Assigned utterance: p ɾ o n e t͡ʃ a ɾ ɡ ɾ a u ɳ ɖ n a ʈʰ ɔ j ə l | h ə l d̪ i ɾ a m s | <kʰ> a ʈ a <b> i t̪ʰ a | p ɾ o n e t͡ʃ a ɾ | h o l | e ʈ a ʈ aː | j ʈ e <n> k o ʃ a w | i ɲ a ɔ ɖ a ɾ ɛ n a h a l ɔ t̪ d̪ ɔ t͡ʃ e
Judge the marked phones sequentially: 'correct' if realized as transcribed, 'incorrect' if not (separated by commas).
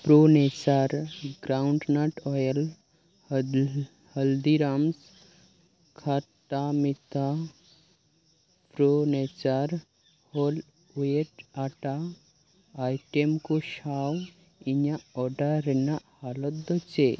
correct, incorrect, incorrect